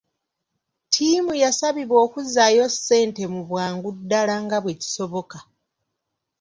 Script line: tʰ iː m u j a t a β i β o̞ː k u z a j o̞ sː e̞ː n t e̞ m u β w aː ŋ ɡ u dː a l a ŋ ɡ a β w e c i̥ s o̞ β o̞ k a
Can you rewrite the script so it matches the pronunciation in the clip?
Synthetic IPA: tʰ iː m u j a s a β i β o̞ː k u z a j o̞ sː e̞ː n t e̞ m u β w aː ŋ ɡ u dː a l a ŋ ɡ a β w e c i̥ s o̞ β o̞ k a